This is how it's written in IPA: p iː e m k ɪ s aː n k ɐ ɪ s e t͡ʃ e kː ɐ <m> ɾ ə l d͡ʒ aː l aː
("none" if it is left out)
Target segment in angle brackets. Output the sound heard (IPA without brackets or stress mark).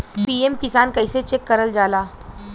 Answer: none